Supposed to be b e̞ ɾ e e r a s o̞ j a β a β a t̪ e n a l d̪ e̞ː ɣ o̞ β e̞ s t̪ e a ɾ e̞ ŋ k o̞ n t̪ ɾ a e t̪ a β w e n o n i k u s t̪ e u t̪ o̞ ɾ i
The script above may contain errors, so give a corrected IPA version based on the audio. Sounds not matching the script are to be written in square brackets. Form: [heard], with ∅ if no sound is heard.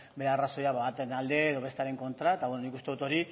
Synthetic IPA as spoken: b e̞ ɾ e [a] r a s o̞ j a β a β a t̪ e n a l d̪ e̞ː [ð] o̞ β e̞ s t̪ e a ɾ e̞ ŋ k o̞ n t̪ ɾ a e t̪ a β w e n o n i k u s t̪ e u t̪ o̞ ɾ i